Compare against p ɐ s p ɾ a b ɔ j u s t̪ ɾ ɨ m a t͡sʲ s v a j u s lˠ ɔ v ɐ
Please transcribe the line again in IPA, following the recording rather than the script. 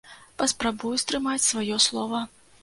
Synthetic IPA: p ɐ s p ɾ a b u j u s t̪ ɾ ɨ m a t͡sʲ s v a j ɔ s lˠ ɔ v ɐ